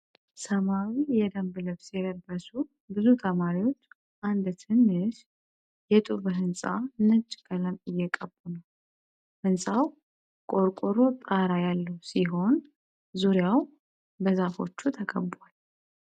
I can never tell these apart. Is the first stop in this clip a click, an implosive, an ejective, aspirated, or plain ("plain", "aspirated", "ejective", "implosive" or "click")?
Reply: plain